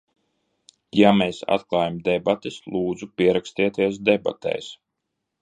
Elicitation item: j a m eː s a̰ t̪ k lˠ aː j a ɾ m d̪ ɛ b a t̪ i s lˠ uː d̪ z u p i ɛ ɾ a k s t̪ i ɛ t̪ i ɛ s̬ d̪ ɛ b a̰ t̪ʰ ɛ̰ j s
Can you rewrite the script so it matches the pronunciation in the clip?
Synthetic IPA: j a m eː s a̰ t̪ k lˠ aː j a m d̪ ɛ b a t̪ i s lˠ uː d̪ z u p i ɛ ɾ a k s t̪ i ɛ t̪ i ɛ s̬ d̪ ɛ b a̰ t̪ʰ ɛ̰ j s